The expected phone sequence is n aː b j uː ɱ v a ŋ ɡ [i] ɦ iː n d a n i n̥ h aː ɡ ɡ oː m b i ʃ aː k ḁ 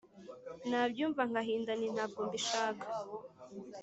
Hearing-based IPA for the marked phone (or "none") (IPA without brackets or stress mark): a